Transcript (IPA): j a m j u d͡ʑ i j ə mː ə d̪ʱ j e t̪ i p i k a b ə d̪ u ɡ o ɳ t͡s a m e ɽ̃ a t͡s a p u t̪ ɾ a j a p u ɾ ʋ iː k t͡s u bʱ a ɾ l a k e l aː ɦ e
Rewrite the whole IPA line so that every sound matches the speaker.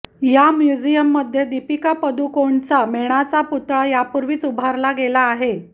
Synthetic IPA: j a m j u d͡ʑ i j ə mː ə d̪ʱ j e d̪ i p i k a p ə d̪ u k o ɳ t͡s a m e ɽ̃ a t͡s a p u t̪ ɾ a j a p u ɾ ʋ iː t͡s u bʱ a ɾ l a ɡ e l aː ɦ e